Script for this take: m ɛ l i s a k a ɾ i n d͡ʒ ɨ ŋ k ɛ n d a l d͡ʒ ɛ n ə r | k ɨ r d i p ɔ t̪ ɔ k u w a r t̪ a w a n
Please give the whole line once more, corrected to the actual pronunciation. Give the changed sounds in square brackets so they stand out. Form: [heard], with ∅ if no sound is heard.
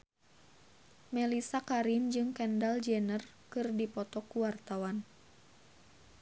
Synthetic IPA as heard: m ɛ l i s a k a ɾ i n d͡ʒ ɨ ŋ k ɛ n d a l d͡ʒ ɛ n ə r | k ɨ r d i p ɔ t̪ ɔ k u w a r t̪ a w a n